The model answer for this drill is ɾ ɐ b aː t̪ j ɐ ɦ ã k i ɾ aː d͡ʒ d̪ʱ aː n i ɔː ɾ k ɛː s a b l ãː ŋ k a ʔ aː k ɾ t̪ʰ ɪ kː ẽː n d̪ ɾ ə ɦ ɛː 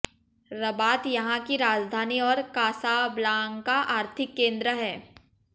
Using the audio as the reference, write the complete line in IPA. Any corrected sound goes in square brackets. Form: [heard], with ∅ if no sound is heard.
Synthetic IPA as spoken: ɾ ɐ b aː t̪ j ɐ ɦ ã k i ɾ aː d͡ʒ d̪ʱ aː n i ɔː ɾ k [aː] s a b l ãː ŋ k a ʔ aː [∅] ɾ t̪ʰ ɪ kː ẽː n d̪ ɾ ə ɦ ɛː